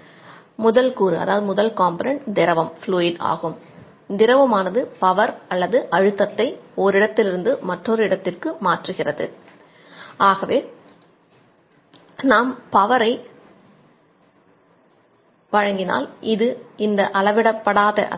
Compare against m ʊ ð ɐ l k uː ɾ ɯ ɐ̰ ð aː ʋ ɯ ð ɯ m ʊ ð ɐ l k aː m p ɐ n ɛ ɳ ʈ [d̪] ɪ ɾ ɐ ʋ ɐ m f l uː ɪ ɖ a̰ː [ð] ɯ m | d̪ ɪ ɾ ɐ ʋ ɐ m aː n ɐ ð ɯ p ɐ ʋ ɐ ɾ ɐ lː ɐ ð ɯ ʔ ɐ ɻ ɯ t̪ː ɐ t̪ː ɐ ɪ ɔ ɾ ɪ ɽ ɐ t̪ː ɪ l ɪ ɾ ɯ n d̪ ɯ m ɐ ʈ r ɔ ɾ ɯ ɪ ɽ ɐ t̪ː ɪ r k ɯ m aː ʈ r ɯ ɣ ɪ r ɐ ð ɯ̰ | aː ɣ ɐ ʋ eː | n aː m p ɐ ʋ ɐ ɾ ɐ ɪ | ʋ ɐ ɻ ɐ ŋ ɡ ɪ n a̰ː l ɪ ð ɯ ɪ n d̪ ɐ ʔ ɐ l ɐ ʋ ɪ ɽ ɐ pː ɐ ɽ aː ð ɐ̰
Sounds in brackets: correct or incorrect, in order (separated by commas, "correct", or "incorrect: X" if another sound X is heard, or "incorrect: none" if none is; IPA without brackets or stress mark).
correct, incorrect: ɣ